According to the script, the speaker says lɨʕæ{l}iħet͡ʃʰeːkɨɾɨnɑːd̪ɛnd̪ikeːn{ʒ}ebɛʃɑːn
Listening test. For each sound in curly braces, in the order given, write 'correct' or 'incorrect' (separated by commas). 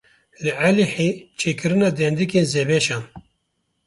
correct, incorrect